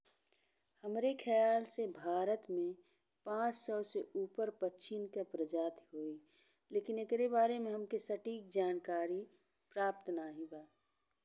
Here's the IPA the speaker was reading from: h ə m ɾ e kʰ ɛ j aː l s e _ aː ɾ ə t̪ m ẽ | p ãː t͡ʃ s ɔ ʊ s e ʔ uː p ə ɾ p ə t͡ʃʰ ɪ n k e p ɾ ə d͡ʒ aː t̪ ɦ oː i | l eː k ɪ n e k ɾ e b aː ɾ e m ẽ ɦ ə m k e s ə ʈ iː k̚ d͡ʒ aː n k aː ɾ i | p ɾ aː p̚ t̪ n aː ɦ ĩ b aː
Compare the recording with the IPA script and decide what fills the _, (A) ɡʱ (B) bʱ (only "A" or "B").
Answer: B